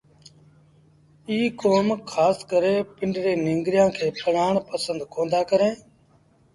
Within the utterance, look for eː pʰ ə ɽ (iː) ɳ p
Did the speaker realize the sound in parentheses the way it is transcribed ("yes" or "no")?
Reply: no